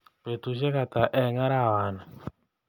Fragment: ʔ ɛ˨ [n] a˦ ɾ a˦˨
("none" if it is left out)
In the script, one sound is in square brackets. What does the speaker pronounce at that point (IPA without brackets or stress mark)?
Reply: ŋ